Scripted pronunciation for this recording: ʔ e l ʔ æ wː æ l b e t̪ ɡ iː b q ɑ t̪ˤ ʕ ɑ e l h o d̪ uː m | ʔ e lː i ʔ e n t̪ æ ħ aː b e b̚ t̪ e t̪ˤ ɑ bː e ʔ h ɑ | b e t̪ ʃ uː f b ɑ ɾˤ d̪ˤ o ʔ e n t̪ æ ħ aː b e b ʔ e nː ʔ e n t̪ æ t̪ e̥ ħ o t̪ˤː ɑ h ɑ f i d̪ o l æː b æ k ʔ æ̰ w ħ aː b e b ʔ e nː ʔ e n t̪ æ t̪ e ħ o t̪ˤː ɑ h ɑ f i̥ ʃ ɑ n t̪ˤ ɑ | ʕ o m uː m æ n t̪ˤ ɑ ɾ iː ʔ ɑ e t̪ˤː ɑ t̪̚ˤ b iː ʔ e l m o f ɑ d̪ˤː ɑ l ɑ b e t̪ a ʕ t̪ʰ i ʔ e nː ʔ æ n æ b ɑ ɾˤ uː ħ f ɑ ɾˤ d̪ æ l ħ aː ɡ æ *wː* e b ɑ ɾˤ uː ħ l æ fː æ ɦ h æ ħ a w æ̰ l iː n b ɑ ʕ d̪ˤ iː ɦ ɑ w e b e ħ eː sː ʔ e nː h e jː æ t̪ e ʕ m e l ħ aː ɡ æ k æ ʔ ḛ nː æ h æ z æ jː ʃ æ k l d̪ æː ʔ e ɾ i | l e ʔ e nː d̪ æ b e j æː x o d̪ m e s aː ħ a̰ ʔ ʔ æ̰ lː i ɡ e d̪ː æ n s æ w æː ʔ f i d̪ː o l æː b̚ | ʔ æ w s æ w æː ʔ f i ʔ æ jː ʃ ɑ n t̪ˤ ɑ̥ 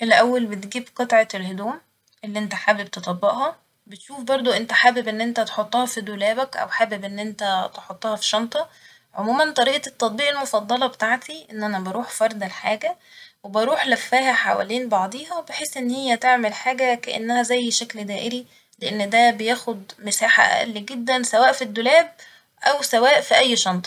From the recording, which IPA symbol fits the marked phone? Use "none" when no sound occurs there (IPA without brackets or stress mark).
w